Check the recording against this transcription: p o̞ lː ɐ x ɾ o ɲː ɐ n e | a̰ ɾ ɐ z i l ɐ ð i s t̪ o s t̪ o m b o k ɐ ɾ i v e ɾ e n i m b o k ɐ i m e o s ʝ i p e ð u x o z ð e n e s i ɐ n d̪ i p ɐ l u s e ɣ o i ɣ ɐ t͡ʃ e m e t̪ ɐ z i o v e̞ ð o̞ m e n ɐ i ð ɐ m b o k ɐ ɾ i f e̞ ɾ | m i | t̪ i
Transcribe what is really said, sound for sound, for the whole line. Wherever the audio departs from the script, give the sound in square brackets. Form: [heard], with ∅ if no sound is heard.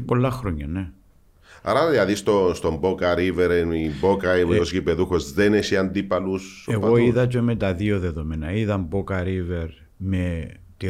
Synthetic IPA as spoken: p o̞ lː ɐ x ɾ o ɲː ɐ n e | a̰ ɾ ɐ [ð] i l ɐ ð i s t̪ o s t̪ o m b o k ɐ ɾ i v e ɾ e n i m b o k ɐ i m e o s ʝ i p e ð u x o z ð e n e s i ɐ n d̪ i p ɐ l u s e ɣ o i [ð] ɐ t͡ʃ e m e t̪ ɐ [ð] i o [ð] e̞ ð o̞ m e n ɐ i ð ɐ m b o k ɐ ɾ i [v] e̞ ɾ | m [e] | t̪ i